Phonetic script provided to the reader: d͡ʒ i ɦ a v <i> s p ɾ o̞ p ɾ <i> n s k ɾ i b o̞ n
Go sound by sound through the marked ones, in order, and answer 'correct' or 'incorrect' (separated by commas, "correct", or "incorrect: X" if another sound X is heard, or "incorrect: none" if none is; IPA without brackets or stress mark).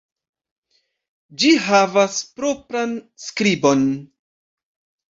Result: incorrect: a, incorrect: a